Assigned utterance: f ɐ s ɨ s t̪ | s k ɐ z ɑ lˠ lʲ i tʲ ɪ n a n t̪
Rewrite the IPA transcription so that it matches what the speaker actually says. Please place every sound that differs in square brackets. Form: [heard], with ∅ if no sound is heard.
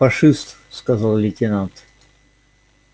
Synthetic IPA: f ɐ [ʂ] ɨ s t̪ | s k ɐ z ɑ lˠ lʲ [ɪ] tʲ ɪ n a n t̪